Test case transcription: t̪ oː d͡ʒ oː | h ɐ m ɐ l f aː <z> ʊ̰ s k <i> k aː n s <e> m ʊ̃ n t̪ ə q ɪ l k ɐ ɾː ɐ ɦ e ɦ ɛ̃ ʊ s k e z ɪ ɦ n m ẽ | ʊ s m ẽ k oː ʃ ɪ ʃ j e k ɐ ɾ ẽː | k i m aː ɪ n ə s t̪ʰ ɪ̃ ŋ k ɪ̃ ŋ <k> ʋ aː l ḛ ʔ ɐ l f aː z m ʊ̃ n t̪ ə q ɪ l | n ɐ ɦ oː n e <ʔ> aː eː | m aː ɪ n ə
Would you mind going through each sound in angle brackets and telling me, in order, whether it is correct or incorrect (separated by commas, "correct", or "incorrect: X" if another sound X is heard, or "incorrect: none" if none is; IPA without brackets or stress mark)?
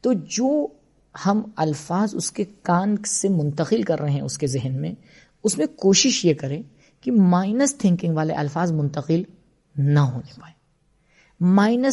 correct, incorrect: e, correct, incorrect: ɡ, incorrect: p